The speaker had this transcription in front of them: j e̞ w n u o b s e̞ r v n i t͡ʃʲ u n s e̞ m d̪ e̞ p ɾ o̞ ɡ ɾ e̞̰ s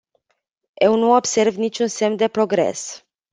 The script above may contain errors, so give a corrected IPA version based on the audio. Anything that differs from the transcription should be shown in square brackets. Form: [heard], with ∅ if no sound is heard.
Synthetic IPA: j e̞ w n u o b s e̞ r v n i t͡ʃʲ u n s e̞ m d̪ e̞ p ɾ o̞ ɡ ɾ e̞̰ s